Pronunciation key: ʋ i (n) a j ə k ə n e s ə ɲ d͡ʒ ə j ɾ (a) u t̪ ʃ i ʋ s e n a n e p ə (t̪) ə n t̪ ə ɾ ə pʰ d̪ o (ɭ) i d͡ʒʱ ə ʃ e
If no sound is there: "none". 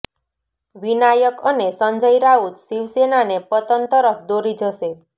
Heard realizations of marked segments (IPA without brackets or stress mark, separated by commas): n, a, t̪, ɾ